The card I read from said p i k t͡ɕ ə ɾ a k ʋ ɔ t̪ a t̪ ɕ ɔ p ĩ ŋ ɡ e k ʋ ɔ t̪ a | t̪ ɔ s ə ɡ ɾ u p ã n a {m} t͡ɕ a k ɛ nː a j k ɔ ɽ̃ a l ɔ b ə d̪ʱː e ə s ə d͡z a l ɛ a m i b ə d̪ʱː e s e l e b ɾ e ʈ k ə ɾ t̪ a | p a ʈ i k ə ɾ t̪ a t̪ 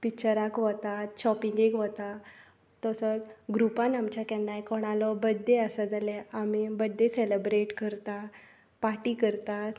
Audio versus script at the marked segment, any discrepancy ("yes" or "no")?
no